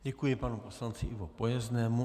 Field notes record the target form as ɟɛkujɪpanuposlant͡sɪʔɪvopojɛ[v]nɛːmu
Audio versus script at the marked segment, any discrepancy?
yes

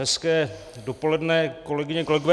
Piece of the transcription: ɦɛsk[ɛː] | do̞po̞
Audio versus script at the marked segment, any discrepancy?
no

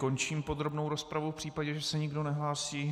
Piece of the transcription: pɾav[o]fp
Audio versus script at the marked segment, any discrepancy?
yes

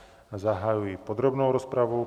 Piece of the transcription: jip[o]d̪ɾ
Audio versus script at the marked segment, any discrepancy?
yes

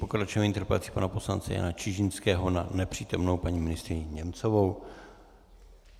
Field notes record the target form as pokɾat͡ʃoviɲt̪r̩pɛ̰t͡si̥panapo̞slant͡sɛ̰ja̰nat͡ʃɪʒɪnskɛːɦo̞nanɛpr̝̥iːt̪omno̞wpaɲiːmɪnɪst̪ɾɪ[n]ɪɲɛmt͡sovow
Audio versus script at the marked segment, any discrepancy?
yes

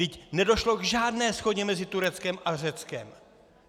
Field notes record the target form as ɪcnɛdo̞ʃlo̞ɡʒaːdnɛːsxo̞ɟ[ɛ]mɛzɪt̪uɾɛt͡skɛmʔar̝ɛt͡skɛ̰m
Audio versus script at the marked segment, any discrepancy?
no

